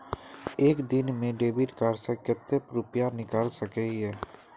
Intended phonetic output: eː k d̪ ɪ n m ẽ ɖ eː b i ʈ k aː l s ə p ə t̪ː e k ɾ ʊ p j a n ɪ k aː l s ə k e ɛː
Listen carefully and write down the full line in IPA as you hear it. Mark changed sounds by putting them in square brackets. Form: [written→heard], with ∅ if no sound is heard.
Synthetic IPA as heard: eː k d̪ ɪ n m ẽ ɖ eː b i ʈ k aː [l→ɾ] s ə [p→k] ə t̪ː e [k→p] ɾ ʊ p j a n ɪ k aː l s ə k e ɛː